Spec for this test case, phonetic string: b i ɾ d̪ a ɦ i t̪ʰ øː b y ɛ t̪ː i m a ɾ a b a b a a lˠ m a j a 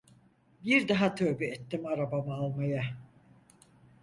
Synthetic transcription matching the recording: b i ɾ d̪ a ɦ a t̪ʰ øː b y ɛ t̪ː i m a ɾ a b a m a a lˠ m a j a